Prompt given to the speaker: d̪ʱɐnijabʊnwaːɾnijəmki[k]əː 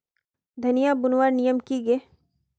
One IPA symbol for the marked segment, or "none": ɡ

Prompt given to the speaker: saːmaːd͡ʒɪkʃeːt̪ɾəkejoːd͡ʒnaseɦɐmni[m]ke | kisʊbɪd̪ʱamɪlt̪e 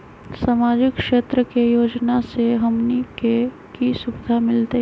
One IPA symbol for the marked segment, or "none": none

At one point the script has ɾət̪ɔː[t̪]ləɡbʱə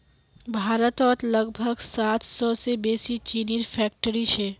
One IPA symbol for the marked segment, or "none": t̪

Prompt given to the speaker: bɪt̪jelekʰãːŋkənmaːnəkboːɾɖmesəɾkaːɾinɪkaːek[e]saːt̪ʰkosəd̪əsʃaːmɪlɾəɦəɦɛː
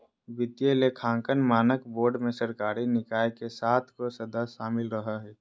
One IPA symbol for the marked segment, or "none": e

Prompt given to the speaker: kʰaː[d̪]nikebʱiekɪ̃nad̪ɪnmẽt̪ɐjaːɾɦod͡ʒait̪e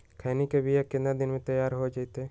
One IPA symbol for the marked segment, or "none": none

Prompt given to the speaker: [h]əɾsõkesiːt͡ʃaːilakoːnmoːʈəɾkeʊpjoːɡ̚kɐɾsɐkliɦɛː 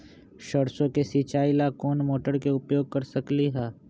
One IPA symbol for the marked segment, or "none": ʃ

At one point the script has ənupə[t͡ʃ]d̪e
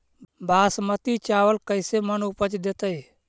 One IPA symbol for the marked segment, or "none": t͡ʃ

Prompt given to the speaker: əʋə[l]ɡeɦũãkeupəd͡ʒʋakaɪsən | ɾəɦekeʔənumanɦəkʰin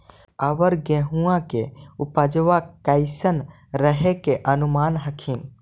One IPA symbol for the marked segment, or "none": ɾ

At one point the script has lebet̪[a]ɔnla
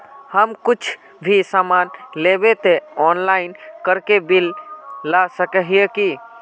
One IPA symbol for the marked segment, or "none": e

